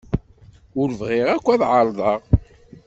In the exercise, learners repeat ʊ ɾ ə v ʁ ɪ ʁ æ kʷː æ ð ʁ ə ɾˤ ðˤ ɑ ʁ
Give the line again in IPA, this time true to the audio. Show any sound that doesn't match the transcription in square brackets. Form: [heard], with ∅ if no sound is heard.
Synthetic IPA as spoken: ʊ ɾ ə v ʁ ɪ ʁ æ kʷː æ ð [ʕ] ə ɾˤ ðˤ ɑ ʁ